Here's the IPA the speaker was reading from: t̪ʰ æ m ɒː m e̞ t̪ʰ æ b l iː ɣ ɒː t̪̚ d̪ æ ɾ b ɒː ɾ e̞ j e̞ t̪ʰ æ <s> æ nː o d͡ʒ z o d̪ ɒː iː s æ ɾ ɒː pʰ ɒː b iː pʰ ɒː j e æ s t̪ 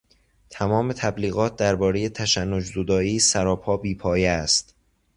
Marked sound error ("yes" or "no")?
yes